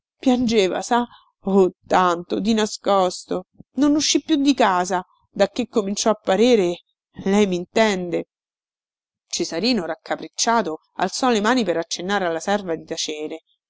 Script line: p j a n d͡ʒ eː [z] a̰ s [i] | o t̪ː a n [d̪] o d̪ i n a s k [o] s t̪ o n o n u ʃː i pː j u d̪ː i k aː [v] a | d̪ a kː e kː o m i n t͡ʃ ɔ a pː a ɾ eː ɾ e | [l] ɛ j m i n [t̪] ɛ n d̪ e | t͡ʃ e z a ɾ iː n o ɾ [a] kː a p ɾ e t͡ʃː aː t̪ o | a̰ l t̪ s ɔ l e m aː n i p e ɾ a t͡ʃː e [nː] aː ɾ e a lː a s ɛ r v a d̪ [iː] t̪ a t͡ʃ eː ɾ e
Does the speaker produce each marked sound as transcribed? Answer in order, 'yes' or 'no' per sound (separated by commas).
no, no, no, no, no, yes, yes, yes, yes, no